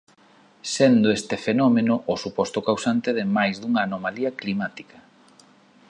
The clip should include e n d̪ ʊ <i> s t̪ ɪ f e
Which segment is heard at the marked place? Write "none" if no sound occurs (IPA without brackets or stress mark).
e